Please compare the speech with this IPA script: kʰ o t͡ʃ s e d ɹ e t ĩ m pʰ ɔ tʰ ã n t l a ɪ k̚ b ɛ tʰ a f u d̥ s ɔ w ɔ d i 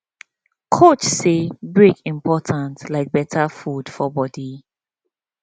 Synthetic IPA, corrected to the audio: kʰ o t͡ʃ s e b ɹ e k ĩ m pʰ ɔ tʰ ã n t l a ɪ k̚ b ɛ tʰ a f u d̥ f ɔ b ɔ d i